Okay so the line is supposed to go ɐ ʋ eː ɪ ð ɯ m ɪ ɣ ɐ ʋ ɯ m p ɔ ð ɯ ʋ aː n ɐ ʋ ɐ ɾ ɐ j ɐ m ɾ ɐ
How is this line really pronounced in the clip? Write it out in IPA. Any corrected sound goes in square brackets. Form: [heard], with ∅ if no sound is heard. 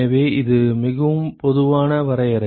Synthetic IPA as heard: ɐ ʋ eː ɪ ð ɯ m ɪ ɣ ɐ ʋ ɯ m p ɔ ð ɯ ʋ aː n ɐ ʋ ɐ ɾ ɐ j ɐ [∅] ɾ ɐ